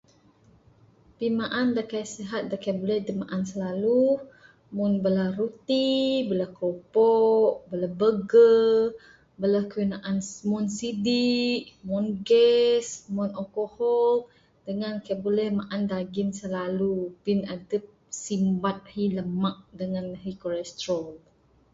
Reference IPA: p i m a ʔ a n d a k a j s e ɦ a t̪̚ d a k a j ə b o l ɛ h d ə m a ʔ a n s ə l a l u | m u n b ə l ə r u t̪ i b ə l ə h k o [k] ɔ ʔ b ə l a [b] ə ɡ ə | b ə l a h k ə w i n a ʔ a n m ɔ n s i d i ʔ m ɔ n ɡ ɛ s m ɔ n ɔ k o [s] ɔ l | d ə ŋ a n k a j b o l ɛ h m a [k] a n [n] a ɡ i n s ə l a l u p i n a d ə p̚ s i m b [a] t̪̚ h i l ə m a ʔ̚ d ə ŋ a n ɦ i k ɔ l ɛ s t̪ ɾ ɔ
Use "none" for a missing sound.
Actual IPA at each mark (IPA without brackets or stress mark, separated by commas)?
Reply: p, b, h, ʔ, d, a